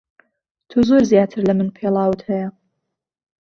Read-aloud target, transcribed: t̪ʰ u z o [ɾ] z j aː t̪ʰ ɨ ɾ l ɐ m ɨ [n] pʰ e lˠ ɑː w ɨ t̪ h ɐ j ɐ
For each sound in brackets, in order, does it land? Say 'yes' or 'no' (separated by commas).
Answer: yes, yes